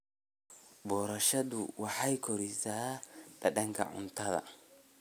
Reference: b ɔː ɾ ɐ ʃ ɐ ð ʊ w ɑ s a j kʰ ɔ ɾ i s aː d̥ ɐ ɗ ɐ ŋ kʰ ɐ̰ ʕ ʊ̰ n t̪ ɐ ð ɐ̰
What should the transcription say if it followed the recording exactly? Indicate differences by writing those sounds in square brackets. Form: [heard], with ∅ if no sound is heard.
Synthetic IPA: b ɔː ɾ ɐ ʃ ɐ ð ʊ w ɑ [ħ] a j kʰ ɔ ɾ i s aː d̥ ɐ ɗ ɐ ŋ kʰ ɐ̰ ʕ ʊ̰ n t̪ ɐ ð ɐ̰